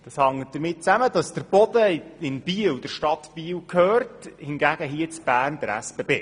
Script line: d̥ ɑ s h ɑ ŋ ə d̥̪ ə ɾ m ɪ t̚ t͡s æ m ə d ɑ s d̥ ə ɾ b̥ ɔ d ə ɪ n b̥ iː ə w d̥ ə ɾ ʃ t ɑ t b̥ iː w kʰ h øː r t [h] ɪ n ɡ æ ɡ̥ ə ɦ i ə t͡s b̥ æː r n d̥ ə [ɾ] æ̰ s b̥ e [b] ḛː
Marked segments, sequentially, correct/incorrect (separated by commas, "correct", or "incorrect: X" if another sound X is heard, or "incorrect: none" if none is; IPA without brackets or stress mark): correct, correct, correct